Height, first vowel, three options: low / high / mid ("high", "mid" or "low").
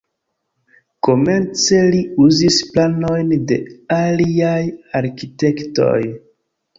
mid